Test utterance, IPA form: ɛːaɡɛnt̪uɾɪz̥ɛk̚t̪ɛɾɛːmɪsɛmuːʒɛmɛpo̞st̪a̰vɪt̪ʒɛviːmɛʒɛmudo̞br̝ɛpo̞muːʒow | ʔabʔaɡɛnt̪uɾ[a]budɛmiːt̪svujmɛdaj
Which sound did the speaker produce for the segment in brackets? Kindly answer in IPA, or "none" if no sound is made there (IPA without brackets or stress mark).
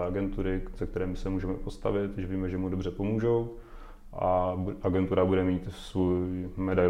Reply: a